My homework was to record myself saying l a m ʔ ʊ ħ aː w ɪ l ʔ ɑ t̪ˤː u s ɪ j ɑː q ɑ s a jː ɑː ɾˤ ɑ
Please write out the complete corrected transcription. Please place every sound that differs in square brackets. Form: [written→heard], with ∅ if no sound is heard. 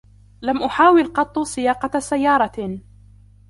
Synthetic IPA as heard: l a m ʔ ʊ ħ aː w ɪ l [ʔ→q] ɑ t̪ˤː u s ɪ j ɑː q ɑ s a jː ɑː ɾˤ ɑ